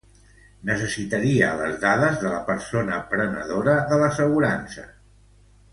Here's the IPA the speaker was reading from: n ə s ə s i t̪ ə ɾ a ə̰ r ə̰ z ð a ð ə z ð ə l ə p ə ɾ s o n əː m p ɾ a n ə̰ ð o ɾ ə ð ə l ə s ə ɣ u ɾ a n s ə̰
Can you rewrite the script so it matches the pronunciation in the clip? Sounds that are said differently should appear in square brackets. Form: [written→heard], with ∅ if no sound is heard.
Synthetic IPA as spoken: n ə s ə s i t̪ ə ɾ [a→i] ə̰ [r→l] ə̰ z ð a ð ə z ð ə l ə p ə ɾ s o n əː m p ɾ [a→ə] n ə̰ ð o ɾ ə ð ə l ə s ə ɣ u ɾ a n s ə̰